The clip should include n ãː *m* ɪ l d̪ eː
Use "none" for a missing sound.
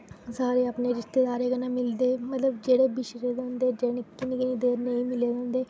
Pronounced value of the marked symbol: m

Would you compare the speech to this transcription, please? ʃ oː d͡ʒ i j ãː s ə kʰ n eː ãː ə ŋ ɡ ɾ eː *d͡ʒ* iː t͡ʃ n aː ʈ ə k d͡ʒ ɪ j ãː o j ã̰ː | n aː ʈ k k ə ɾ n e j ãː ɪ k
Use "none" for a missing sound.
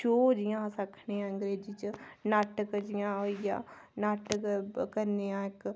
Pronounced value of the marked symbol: d͡ʒ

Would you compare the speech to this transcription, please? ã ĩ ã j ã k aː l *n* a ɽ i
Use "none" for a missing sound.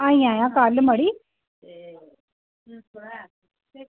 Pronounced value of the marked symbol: m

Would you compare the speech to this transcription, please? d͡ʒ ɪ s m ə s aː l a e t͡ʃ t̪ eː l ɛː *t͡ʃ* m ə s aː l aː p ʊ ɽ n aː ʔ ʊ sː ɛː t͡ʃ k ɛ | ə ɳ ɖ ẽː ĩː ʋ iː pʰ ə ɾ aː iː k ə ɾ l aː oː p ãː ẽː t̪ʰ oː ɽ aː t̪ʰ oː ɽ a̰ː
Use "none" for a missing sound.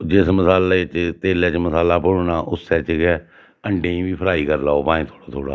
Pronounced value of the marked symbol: t͡ʃ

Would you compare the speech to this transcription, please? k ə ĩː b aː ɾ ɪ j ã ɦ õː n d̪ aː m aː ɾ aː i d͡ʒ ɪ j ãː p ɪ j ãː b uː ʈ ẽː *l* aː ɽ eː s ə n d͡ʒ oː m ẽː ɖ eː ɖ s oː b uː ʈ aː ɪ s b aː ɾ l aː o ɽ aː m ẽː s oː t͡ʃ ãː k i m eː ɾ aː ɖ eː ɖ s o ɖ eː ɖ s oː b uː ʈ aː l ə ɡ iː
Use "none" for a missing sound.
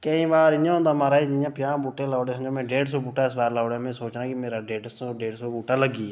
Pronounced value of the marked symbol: l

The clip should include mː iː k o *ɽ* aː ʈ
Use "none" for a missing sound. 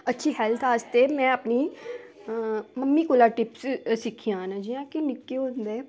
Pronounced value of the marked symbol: l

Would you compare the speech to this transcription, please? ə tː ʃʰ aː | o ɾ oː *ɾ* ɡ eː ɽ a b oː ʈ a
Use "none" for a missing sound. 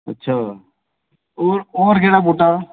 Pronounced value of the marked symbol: ɾ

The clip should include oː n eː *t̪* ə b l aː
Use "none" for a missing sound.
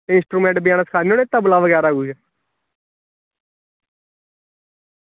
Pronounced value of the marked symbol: t̪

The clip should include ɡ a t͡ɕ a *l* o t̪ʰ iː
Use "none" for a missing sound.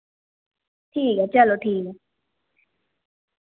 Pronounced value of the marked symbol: l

